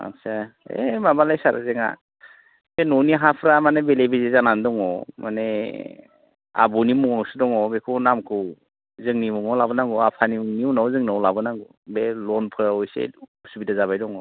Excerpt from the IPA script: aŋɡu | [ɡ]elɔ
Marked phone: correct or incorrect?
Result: incorrect